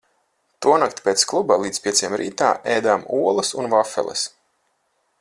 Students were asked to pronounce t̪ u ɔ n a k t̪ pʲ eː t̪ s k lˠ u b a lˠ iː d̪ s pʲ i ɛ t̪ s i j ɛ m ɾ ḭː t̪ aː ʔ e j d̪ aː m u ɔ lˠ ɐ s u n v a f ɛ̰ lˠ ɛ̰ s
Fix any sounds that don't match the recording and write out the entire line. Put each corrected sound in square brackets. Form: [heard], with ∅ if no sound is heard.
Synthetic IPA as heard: t̪ u ɔ n a k t̪ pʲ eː t̪ s k lˠ u b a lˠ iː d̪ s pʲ i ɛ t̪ s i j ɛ m ɾ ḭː t̪ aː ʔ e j d̪ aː m u ɔ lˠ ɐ s u n v a f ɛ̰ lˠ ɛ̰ s